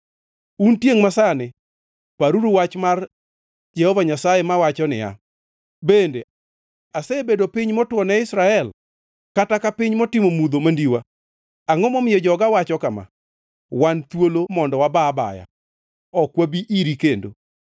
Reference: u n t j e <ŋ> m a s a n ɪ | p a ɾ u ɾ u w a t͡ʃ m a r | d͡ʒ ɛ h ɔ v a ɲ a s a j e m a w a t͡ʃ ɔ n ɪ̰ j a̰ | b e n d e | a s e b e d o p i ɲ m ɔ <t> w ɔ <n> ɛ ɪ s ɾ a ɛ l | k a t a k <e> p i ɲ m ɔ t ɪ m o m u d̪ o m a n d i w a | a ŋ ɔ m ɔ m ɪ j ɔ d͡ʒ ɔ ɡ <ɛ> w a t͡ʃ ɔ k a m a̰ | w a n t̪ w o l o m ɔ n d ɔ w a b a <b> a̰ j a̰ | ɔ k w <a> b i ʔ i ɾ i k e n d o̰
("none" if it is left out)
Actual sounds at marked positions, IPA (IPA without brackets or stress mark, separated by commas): ŋ, t, n, a, a, b, a